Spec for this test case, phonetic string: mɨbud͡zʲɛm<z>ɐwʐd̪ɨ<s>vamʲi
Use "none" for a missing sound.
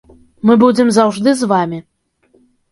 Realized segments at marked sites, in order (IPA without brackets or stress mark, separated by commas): z, z